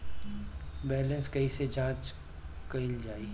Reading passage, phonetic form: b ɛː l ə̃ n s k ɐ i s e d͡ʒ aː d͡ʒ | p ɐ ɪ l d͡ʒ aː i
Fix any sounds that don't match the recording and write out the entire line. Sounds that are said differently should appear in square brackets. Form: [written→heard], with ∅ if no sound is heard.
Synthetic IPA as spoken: b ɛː l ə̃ n s k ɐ i s e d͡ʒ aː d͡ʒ | [p→k] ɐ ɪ l d͡ʒ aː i